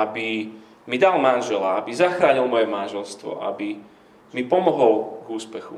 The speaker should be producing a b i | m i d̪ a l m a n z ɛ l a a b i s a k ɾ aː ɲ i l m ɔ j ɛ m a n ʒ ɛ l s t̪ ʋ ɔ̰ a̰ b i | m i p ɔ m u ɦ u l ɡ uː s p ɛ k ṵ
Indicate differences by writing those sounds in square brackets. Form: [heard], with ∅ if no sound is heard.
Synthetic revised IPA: a b i | m i d̪ a l m a n [ʒ] ɛ l a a b i [z] a [x] ɾ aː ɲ i l m ɔ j ɛ m a n ʒ ɛ l s t̪ ʋ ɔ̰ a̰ b i | m i p ɔ m [ɔ] ɦ [ɔ] l ɡ uː s p ɛ [x] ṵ